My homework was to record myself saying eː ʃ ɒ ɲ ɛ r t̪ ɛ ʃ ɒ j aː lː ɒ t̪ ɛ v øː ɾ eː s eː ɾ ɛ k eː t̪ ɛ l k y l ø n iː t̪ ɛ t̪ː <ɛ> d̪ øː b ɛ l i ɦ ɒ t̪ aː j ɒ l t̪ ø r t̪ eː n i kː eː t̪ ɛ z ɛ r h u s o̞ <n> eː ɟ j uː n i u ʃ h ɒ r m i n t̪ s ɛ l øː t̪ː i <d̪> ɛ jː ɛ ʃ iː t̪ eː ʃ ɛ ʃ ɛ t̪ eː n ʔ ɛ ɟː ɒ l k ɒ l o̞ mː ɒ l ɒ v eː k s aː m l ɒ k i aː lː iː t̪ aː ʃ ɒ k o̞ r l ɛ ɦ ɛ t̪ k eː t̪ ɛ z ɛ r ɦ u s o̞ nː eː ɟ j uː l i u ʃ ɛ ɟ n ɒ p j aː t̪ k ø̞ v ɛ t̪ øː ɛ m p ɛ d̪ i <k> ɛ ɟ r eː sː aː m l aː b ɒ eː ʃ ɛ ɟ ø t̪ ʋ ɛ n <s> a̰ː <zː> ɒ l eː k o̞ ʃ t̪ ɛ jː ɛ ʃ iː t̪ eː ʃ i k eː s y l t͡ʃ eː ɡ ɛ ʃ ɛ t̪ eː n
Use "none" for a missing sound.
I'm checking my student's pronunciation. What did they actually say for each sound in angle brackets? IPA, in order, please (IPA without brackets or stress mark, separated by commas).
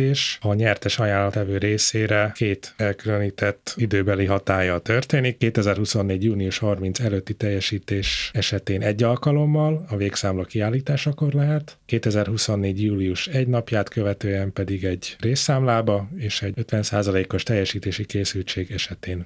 i, nː, t̪, ɡ, s, z